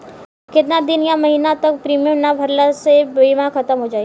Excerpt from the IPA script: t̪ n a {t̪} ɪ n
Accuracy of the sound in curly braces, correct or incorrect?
incorrect